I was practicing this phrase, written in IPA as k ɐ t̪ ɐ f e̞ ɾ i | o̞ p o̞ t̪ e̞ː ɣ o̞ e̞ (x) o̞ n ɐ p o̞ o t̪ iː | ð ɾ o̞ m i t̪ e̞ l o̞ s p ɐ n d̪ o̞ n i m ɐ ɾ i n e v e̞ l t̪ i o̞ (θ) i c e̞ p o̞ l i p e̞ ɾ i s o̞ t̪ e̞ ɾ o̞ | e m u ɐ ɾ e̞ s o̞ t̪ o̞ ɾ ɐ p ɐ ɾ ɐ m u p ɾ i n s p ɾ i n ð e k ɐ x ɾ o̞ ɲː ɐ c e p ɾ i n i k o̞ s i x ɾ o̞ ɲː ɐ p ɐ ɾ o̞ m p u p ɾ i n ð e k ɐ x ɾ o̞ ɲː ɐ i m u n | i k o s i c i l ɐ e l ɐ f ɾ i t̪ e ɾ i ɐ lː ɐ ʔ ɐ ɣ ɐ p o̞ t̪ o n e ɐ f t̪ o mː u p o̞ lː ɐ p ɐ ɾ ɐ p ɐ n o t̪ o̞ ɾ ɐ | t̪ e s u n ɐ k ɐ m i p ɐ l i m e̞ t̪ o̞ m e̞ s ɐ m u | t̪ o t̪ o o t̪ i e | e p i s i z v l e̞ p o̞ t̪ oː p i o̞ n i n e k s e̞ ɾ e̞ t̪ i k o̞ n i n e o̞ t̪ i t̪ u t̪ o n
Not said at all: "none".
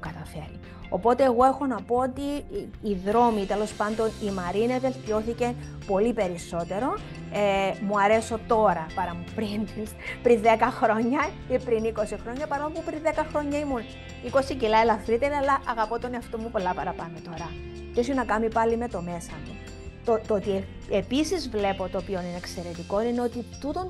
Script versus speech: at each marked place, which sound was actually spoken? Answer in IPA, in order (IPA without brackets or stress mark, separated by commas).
x, θ